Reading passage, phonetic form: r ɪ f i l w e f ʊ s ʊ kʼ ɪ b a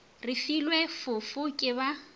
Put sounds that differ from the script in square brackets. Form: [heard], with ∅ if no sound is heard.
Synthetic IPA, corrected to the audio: r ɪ f i l w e f ʊ [f] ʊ kʼ ɪ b a

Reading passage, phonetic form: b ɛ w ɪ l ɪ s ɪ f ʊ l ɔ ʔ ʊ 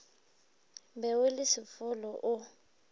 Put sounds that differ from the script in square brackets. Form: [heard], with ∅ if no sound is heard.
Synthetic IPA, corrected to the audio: b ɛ w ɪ l ɪ s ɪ f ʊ l ɔ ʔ ʊ

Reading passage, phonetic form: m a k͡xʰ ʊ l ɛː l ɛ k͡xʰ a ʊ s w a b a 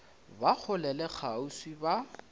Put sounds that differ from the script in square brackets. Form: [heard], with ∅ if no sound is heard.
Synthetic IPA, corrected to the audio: [b] a k͡xʰ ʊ l [ɛ] l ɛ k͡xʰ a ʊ s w [i] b a

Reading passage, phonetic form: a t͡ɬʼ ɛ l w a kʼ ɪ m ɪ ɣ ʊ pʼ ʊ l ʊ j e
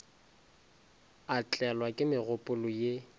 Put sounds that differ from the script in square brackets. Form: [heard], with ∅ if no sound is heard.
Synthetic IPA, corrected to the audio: a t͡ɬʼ ɛ l w a kʼ ɪ m ɪ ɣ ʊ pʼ ʊ l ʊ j e

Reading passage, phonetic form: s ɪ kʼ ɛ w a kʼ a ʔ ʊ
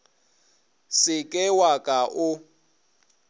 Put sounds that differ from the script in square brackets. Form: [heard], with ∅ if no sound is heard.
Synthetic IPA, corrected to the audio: s ɪ kʼ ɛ w a kʼ a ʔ ʊ

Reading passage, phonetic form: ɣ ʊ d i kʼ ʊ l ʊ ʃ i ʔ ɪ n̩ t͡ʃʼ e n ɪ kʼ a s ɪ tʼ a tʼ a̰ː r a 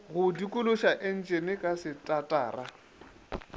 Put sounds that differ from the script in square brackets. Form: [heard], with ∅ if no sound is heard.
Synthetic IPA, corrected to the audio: ɣ ʊ d i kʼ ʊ l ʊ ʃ [a] ʔ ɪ n̩ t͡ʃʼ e n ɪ kʼ a s ɪ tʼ a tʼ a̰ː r a

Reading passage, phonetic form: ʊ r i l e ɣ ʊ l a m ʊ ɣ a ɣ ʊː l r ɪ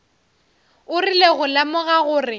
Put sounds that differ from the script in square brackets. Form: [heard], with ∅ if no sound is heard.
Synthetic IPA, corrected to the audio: ʊ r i l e ɣ ʊ l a m ʊ ɣ a ɣ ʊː [∅] r ɪ

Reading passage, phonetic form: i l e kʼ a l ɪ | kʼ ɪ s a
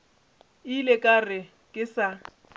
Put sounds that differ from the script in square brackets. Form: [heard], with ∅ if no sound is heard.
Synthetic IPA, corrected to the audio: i l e kʼ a [r] ɪ | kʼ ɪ s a

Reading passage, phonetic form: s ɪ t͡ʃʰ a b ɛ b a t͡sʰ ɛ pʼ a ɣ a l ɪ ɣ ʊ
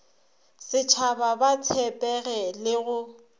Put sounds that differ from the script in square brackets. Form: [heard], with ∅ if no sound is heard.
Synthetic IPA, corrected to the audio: s ɪ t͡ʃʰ a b [a] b a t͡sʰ ɛ pʼ [ɛ] ɣ [ɛ] l ɪ ɣ ʊ

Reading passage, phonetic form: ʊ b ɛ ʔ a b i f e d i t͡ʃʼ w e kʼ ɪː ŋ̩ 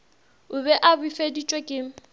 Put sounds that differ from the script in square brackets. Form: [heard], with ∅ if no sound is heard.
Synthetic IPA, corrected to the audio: ʊ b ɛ ʔ a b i f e d i t͡ʃʼ w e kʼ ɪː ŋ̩

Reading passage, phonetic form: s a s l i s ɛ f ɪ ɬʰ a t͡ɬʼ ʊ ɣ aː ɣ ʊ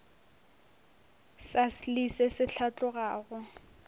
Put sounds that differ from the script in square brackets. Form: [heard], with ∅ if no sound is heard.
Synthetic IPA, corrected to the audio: s a s l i s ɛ [s] ɪ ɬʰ a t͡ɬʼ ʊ ɣ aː ɣ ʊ

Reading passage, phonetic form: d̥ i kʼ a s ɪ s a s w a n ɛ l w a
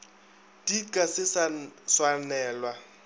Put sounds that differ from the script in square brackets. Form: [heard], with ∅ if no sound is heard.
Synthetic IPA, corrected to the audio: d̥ i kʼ a s ɪ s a s w a n [ɛː] l w a

